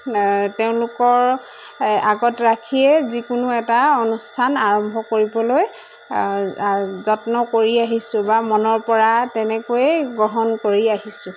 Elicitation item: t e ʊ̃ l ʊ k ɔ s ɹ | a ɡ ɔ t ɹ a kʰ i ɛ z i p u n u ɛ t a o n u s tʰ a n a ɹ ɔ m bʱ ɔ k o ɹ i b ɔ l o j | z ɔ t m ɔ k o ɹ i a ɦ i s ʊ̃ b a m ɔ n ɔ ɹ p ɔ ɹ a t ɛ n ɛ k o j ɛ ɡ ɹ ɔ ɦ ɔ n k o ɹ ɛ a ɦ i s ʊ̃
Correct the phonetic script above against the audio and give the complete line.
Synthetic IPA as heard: t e ʊ̃ l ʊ k ɔ ɹ | a ɡ ɔ t ɹ a kʰ i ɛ z i k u n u ɛ t a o n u s tʰ a n a ɹ ɔ m bʱ ɔ k o ɹ i b ɔ l o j | z ɔ t n ɔ k o ɹ i a ɦ i s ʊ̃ b a m ɔ n ɔ ɹ p ɔ ɹ a t ɛ n ɛ k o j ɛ ɡ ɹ ɔ ɦ ɔ n k o ɹ i a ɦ i s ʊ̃